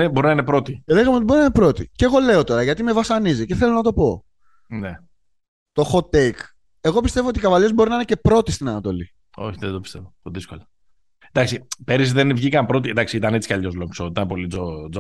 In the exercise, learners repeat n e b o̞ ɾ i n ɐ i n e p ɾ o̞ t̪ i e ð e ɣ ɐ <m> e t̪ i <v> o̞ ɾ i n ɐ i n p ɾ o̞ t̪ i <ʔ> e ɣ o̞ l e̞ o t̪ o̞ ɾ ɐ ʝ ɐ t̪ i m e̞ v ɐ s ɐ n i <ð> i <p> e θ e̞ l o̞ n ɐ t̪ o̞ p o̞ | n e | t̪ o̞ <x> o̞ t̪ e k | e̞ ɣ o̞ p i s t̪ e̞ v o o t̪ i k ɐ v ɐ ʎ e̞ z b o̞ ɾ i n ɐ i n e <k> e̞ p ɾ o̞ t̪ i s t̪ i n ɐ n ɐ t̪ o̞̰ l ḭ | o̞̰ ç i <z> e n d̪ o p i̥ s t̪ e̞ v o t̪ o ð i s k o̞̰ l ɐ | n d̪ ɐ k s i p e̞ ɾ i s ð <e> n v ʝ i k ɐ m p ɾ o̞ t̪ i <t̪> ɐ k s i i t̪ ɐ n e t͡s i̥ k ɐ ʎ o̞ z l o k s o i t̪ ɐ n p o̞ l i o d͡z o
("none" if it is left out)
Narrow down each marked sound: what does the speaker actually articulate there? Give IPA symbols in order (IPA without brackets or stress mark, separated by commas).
m, b, c, z, c, x, c, ð, e, d̪